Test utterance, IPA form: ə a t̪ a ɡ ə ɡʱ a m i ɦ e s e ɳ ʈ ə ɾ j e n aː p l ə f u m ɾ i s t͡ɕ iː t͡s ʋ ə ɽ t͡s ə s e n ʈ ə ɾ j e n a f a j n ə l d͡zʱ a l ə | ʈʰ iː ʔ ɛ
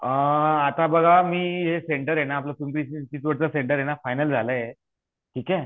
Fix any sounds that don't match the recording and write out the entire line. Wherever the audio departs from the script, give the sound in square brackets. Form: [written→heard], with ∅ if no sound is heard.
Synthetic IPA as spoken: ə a t̪ a [ɡ→b] ə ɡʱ a m [i→iː] ɦ e s e ɳ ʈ ə ɾ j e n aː p l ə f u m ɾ i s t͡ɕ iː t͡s ʋ ə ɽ t͡s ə s e [n→ɳ] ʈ ə ɾ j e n a f a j n ə l d͡zʱ a l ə | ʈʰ iː [ʔ→k] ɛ